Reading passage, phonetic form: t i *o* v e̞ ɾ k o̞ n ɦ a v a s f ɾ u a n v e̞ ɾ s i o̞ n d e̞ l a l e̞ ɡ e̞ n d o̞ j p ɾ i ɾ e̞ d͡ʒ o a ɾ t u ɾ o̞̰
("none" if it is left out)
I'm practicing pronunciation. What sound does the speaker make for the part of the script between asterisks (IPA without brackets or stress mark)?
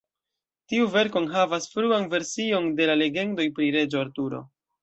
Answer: u